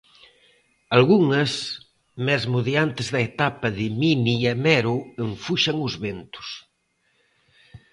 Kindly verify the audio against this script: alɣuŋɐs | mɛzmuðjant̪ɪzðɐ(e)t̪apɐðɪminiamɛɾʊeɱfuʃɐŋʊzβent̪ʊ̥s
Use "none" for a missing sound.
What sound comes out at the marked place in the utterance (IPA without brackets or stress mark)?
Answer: e